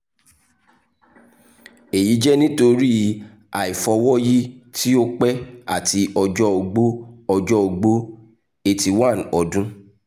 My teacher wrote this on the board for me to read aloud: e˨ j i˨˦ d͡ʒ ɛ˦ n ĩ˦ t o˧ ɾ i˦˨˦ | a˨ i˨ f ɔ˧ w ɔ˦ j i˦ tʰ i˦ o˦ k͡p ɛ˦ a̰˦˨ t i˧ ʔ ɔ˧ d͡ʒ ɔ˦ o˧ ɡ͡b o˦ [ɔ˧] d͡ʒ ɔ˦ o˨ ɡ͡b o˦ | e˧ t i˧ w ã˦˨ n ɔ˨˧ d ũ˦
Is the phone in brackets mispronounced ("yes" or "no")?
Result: no